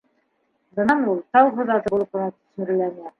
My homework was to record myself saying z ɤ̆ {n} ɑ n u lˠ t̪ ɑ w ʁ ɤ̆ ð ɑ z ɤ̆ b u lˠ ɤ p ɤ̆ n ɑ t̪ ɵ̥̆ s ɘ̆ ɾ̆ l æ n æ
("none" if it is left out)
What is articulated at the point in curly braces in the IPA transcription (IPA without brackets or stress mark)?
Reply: n